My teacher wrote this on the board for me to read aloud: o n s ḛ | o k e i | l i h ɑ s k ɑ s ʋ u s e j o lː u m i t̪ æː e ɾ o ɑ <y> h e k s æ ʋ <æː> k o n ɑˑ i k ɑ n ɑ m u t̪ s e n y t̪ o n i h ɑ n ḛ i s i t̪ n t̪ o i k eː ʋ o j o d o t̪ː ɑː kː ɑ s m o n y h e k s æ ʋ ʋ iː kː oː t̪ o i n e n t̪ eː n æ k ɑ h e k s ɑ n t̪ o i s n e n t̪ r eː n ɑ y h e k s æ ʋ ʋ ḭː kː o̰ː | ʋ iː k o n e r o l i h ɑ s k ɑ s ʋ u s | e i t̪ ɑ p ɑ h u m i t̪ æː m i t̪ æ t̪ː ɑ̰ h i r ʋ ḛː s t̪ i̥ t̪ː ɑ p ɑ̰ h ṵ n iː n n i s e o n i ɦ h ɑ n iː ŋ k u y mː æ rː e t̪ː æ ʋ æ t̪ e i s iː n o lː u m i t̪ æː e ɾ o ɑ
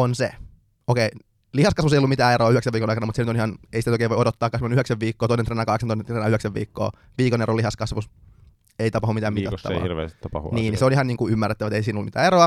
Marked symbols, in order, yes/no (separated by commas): yes, no